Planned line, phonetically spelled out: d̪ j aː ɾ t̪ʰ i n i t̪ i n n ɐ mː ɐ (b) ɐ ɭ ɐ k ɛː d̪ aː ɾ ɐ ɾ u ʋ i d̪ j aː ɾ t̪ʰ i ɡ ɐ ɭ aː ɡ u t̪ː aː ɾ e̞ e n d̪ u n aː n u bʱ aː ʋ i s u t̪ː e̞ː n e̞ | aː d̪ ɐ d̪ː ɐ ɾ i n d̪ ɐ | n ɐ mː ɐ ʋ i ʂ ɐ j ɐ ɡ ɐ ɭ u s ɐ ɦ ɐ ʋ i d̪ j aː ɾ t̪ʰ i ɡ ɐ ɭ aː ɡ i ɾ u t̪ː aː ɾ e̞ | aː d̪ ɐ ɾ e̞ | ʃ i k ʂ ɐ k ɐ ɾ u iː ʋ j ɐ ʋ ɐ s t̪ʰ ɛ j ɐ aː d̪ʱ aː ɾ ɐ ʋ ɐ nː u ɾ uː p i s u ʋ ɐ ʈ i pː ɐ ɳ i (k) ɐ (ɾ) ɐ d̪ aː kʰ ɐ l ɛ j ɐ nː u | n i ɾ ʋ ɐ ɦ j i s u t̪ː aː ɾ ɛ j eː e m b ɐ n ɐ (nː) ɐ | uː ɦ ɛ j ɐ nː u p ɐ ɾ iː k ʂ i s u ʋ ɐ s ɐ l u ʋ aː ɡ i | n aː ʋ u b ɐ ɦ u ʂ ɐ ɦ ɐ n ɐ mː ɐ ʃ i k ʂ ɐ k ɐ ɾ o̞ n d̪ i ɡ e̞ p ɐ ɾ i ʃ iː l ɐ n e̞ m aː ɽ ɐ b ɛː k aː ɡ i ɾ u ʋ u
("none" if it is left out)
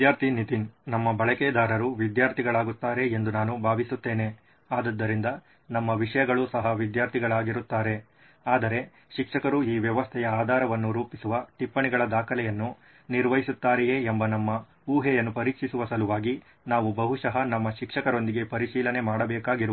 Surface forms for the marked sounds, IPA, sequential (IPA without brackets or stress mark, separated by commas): b, ɡ, ɭ, mː